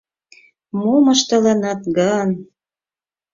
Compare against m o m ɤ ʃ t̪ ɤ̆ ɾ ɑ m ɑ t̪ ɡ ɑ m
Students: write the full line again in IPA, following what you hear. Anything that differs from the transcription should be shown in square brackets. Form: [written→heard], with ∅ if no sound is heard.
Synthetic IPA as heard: m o m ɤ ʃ t̪ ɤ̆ [ɾ→l] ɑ [m→n] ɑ t̪ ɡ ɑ [m→n]